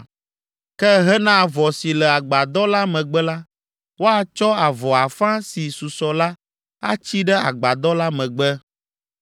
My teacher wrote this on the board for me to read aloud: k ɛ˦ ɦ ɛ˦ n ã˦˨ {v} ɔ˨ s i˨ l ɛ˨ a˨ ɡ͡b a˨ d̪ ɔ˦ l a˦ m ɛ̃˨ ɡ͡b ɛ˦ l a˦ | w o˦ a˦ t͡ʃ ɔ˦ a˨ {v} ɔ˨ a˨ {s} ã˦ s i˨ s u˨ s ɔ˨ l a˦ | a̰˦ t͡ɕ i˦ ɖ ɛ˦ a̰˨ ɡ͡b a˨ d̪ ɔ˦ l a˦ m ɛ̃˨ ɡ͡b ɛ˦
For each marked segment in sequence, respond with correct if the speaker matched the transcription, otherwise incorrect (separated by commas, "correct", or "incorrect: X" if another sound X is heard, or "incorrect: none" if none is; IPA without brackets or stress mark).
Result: correct, correct, incorrect: f